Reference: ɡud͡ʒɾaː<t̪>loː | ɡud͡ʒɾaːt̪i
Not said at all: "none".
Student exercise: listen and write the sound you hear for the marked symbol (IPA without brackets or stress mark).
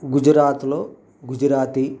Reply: t̪